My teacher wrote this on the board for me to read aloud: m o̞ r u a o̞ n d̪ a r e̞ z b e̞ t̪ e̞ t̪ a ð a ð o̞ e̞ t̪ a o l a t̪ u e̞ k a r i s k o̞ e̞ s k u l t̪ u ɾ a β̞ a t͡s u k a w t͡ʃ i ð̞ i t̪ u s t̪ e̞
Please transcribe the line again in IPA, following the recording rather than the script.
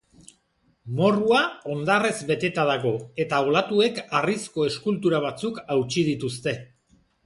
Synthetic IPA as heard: m o̞ r u a o̞ n d̪ a r e̞ z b e̞ t̪ e̞ t̪ a ð a ɣ o̞ e̞ t̪ a o l a t̪ u e̞ k a r i s k o̞ e̞ s k u l t̪ u ɾ a β̞ a t͡s u k a w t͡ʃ i ð̞ i t̪ u s t̪ e̞